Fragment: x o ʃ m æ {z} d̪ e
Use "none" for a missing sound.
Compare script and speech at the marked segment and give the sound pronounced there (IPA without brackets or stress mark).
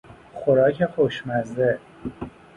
z